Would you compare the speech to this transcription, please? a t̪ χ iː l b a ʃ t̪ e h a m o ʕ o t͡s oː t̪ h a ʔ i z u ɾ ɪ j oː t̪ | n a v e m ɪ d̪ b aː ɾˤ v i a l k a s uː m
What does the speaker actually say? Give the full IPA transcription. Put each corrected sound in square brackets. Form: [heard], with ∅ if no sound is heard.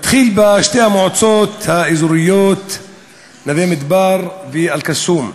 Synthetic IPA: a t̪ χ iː l b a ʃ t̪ e h a m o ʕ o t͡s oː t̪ h a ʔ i z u ɾ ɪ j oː t̪ | n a v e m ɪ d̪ b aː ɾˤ v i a l k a s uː m